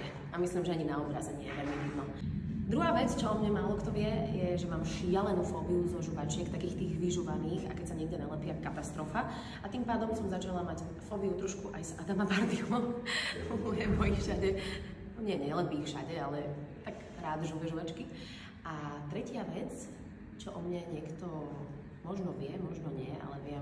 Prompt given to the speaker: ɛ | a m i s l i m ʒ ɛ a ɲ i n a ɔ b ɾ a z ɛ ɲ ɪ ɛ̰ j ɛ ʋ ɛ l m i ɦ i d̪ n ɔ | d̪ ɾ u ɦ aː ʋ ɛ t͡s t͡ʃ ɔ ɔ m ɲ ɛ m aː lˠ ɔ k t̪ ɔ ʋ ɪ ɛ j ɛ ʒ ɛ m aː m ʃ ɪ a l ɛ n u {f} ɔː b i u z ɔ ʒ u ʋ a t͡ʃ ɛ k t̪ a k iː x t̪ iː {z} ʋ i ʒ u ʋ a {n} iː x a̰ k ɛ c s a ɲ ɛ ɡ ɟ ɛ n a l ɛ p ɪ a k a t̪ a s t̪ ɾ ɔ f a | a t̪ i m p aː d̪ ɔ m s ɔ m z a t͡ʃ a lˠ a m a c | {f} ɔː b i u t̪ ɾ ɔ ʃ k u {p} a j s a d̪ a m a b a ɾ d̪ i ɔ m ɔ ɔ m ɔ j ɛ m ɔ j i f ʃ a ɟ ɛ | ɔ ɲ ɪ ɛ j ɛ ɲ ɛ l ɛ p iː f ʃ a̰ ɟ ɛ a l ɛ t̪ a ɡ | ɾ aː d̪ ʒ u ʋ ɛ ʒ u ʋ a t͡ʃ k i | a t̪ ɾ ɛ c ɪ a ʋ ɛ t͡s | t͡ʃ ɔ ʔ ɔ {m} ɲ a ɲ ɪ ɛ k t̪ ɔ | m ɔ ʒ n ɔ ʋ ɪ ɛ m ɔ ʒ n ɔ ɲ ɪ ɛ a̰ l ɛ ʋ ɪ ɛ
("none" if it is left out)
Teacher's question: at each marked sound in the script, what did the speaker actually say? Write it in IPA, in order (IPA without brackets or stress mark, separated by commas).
f, ɣ, n, f, ʔ, m